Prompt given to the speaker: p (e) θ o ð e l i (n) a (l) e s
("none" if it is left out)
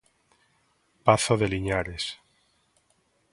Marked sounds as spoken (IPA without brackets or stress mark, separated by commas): a, ɲ, ɾ